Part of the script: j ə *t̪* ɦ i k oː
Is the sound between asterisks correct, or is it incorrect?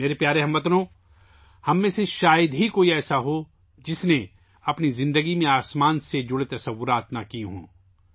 incorrect